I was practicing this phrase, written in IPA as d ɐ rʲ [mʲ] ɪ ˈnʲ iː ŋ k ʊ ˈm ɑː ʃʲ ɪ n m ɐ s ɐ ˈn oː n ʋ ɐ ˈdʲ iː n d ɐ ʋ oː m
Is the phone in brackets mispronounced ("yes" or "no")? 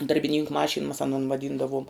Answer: yes